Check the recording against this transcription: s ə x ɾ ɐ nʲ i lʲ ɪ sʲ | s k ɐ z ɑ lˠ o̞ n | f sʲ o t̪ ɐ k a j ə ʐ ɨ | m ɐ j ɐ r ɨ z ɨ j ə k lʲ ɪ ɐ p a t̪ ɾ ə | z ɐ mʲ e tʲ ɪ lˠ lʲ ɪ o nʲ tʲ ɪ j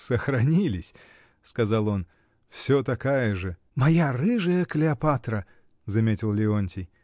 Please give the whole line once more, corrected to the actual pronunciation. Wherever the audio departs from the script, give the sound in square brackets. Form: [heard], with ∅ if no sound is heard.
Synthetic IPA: s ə x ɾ ɐ nʲ i lʲ ɪ sʲ | s k ɐ z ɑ lˠ o̞ n | f sʲ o t̪ ɐ k a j ə ʐ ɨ | m ɐ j [a] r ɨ [ʐ] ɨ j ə k lʲ ɪ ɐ p a t̪ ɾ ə | z ɐ mʲ e tʲ ɪ lˠ lʲ ɪ o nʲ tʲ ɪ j